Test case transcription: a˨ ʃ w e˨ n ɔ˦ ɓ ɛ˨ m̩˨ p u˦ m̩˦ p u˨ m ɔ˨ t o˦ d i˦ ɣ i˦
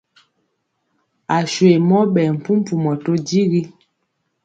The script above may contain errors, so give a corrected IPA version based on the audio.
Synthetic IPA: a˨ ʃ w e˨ m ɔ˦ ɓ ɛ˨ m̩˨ p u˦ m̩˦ p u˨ m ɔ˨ t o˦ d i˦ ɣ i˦